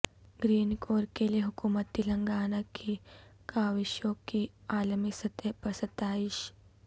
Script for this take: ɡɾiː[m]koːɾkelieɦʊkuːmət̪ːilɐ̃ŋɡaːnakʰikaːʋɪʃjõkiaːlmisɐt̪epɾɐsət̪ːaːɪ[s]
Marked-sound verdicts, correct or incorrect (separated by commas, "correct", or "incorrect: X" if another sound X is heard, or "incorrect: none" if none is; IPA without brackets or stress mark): incorrect: n, incorrect: ʃ